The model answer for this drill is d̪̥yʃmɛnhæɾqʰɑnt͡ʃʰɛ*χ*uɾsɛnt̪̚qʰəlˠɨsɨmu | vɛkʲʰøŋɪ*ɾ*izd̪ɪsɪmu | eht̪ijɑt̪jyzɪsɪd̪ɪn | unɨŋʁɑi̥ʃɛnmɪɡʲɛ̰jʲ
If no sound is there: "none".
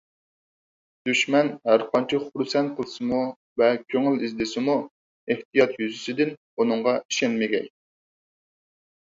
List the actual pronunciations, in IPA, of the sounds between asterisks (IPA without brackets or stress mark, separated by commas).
χ, l